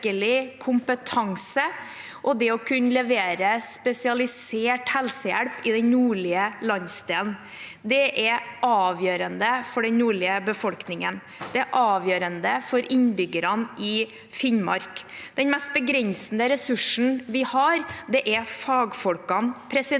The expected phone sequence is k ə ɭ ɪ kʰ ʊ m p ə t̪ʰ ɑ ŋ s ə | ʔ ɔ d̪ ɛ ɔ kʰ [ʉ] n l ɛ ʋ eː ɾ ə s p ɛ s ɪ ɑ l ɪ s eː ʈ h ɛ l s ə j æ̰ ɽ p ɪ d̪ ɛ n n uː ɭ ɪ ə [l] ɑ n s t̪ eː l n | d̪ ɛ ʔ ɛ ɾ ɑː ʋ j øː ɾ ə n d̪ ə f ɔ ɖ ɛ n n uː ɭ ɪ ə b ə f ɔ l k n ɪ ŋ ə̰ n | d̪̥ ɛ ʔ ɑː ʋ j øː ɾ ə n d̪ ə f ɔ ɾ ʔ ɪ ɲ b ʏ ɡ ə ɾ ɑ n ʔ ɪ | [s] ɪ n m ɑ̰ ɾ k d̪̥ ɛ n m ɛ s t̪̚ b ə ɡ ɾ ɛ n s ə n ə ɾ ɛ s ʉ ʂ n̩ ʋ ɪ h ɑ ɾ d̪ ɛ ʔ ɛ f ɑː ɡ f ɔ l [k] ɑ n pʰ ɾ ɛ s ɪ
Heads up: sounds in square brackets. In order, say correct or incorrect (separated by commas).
correct, correct, incorrect, correct